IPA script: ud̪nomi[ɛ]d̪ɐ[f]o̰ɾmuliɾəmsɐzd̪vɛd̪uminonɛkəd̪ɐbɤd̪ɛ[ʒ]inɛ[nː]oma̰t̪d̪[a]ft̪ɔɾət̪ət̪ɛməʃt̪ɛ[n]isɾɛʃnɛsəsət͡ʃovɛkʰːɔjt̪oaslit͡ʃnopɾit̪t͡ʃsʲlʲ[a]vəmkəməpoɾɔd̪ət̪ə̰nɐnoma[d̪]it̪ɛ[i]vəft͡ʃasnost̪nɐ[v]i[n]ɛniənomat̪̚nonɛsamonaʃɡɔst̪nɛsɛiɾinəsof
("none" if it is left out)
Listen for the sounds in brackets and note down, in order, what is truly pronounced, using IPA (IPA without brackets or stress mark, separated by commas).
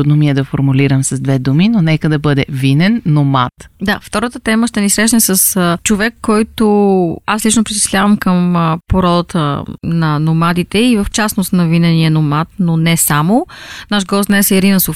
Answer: ɛ, f, v, nː, a, n, a, d̪, i, v, n